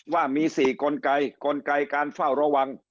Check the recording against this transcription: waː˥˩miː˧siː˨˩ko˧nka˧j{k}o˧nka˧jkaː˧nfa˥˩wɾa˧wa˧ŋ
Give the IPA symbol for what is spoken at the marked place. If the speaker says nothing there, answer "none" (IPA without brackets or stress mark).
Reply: k